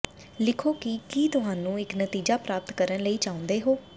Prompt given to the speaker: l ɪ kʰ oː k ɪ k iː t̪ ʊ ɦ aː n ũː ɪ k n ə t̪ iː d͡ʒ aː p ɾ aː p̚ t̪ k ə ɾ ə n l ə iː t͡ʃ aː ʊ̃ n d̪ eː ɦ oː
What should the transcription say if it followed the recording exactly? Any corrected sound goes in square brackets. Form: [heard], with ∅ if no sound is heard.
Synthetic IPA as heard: l ɪ kʰ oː k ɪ k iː t̪ ʊ ɦ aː n ũː ɪ k n ə t̪ iː d͡ʒ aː p ɾ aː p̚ t̪ k ə ɾ ə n l ə iː t͡ʃ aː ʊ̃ n d̪ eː ɦ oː